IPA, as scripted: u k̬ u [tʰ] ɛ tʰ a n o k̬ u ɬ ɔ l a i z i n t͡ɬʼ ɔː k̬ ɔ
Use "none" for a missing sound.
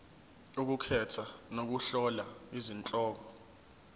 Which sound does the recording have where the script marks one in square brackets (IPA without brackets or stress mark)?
kʰ